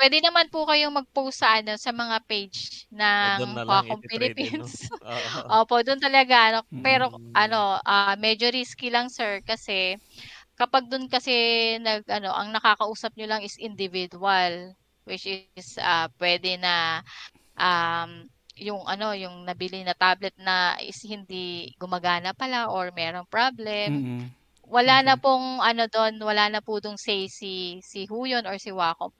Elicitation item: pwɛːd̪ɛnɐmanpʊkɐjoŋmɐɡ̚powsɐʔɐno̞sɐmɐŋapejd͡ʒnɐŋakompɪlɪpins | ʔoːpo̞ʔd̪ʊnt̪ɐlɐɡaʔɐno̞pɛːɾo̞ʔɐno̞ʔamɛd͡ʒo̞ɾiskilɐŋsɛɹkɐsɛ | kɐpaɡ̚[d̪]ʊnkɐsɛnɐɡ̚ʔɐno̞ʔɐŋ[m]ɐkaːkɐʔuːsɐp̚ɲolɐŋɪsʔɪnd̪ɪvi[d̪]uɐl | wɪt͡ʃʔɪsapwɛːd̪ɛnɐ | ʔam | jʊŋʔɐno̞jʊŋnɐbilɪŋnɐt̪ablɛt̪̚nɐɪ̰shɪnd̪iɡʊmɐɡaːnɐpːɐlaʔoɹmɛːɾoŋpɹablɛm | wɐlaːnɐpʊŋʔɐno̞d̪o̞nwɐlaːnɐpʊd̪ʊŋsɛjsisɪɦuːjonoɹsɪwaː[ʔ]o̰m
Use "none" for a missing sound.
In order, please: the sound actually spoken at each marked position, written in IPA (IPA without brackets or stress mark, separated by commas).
d̪, n, d̪, k